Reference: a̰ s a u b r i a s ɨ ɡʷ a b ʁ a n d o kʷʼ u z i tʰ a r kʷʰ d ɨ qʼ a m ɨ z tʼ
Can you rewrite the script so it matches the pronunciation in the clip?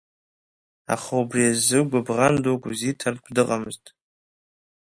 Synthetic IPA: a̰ χ a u b r i a z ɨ ɡʷ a b ʁ a n d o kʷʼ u z i tʰ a r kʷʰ d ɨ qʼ a m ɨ z tʼ